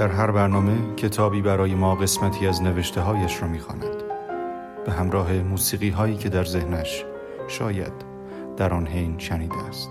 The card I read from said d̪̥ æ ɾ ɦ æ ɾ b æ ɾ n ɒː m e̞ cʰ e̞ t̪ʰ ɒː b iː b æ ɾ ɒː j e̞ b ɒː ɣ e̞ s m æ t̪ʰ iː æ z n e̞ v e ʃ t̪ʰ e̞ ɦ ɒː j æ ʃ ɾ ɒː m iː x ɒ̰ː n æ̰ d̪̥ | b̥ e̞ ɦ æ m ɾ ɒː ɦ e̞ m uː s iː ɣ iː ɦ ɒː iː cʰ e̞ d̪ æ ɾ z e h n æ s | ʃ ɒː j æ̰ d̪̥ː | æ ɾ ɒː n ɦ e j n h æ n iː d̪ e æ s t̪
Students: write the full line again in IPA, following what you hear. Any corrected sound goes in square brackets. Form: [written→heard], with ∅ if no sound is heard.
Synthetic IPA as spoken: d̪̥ æ ɾ ɦ æ ɾ b æ ɾ n ɒː m e̞ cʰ e̞ t̪ʰ ɒː b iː b æ ɾ ɒː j e̞ [b→m] ɒː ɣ e̞ s m æ t̪ʰ iː æ z n e̞ v e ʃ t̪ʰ e̞ ɦ ɒː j æ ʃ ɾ ɒː m iː x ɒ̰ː n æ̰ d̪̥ | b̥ e̞ ɦ æ m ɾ ɒː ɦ e̞ m uː s iː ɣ iː ɦ ɒː iː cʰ e̞ d̪ æ ɾ z e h n æ [s→ʃ] | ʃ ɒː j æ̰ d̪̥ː | æ ɾ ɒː n ɦ e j n [h→ʃ] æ n iː d̪ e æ s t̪